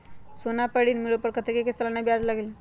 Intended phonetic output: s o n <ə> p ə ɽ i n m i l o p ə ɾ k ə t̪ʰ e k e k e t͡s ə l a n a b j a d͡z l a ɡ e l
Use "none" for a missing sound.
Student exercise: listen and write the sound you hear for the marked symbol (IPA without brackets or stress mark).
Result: a